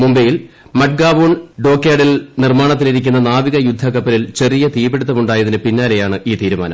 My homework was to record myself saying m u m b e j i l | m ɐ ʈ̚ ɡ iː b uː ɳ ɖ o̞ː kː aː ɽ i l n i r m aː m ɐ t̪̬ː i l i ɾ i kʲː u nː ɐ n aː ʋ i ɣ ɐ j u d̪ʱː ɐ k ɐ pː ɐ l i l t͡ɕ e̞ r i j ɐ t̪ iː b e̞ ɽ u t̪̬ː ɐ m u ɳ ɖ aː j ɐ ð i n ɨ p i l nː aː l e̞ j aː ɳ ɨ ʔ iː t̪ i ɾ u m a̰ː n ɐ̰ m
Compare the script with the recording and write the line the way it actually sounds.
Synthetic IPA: m u m b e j i l | m ɐ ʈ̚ ɡ aː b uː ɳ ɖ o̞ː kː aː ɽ i l n i r m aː ɳ ɐ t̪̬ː i l i ɾ i kʲː u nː ɐ n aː ʋ i ɣ ɐ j u d̪ʱː ɐ k ɐ pː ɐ l i l t͡ɕ e̞ r i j ɐ t̪ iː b e̞ ɽ u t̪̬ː ɐ m u ɳ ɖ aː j ɐ ð i n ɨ p i nː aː l e̞ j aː ɳ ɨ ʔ iː t̪ iː ɾ u m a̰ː n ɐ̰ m